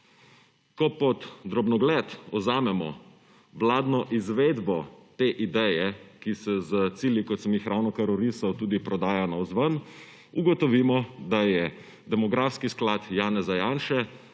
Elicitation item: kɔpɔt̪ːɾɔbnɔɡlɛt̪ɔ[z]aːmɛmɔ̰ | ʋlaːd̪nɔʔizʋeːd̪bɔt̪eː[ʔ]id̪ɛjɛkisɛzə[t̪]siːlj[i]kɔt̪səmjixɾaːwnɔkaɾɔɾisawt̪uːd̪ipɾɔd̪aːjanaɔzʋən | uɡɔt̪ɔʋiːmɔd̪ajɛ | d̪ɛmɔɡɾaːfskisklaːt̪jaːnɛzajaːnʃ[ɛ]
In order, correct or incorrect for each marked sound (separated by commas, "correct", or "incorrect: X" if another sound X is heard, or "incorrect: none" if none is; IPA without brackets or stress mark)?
correct, correct, correct, correct, correct